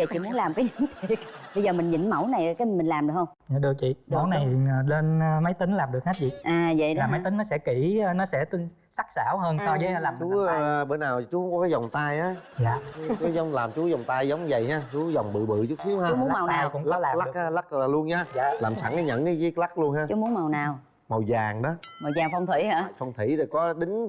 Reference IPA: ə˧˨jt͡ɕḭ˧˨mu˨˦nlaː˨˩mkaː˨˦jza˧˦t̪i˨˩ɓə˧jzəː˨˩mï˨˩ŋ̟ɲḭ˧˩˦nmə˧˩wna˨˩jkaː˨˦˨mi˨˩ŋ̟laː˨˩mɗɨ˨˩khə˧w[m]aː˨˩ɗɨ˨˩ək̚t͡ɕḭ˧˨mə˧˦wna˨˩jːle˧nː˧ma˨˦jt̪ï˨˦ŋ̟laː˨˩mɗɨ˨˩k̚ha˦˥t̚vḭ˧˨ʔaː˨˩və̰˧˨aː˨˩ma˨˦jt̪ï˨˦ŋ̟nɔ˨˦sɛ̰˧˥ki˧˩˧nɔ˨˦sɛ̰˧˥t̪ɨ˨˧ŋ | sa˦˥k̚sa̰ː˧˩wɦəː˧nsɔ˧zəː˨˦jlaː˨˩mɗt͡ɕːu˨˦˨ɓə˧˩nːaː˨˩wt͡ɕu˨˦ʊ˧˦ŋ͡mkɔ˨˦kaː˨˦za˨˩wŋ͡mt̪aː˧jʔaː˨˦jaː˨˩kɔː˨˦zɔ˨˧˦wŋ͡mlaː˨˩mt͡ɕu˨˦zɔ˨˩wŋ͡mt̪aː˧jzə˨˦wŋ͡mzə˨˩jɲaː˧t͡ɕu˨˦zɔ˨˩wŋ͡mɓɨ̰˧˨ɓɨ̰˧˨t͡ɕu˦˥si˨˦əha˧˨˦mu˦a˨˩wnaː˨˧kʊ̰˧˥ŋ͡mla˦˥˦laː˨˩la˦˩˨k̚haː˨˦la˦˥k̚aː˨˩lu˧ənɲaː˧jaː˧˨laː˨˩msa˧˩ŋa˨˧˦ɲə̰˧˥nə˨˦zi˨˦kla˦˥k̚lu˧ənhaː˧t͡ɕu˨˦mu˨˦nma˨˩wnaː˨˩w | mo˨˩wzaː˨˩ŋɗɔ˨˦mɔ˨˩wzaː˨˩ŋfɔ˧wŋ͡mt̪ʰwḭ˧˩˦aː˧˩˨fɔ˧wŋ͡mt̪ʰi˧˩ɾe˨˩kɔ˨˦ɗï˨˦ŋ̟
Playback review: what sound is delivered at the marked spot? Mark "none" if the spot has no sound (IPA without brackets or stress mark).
ŋ͡m